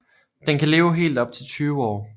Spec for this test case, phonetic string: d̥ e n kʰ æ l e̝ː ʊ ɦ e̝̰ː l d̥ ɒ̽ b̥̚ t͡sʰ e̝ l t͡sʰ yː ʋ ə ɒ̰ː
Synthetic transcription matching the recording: d̥ e n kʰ æ l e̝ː ʊ ɦ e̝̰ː l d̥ ɒ̽ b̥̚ t͡sʰ e̝ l t͡sʰ yː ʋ ə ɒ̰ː